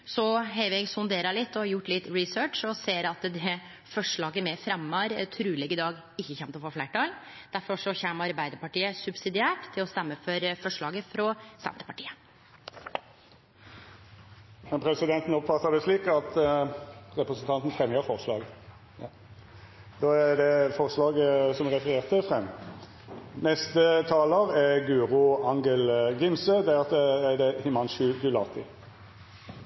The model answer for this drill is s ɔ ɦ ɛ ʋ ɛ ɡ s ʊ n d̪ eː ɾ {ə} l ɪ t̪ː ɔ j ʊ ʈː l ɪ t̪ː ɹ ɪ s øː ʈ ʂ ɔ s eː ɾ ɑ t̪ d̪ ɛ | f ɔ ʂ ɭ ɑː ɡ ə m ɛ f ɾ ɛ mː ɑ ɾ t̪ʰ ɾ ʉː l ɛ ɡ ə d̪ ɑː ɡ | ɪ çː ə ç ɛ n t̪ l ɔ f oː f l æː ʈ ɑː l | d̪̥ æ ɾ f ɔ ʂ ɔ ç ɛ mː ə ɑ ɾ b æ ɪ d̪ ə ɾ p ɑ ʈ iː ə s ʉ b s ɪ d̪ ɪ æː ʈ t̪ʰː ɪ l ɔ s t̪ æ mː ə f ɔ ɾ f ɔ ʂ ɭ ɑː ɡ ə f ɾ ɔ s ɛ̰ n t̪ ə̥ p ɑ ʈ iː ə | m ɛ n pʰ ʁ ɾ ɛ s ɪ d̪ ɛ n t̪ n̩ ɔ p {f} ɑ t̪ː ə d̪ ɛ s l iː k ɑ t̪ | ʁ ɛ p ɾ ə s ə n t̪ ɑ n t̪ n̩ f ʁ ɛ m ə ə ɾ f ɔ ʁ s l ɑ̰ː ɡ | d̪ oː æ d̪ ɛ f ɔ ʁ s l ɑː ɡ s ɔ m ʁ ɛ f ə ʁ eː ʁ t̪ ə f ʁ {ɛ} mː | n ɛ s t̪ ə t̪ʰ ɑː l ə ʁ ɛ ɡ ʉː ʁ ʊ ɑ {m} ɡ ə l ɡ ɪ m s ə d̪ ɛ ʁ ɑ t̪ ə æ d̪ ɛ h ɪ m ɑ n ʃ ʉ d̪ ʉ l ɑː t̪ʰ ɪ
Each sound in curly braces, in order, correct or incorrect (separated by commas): incorrect, correct, correct, incorrect